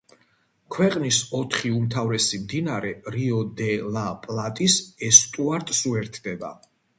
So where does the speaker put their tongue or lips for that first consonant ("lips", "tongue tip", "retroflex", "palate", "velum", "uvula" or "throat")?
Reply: velum